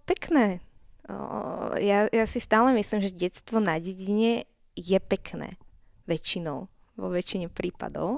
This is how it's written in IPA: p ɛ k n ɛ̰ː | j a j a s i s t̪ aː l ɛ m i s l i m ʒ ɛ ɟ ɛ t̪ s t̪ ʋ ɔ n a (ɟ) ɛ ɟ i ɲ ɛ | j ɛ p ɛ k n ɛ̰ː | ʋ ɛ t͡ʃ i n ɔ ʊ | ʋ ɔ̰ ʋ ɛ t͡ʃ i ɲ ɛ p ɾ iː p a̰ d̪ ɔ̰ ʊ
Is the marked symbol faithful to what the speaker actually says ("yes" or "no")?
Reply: yes